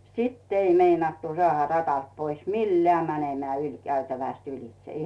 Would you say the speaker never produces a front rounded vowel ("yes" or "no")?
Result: no